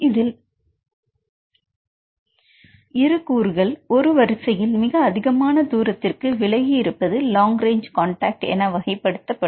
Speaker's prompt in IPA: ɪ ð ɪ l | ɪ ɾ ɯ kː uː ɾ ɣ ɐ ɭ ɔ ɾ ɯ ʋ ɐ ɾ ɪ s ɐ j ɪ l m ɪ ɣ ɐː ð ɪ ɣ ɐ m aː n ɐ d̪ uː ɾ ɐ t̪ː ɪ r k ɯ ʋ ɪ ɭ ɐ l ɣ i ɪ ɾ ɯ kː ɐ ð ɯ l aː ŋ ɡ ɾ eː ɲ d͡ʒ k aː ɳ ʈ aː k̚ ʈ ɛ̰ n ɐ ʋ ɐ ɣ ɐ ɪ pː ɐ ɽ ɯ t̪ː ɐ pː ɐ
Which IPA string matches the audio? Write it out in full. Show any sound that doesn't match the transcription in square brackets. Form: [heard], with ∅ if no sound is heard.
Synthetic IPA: ɪ ð ɪ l | ɪ ɾ ɯ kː uː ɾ ɣ ɐ ɭ ɔ ɾ ɯ ʋ ɐ ɾ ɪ s ɐ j ɪ l m ɪ ɣ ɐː ð ɪ ɣ ɐ m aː n ɐ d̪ uː ɾ ɐ t̪ː ɪ r k ɯ ʋ ɪ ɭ ɐ [∅] ɣ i ɪ ɾ ɯ [pː] ɐ ð ɯ l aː ŋ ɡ ɾ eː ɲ d͡ʒ k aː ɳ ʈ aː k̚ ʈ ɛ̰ n ɐ ʋ ɐ ɣ ɐ ɪ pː ɐ ɽ ɯ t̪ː ɐ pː ɐ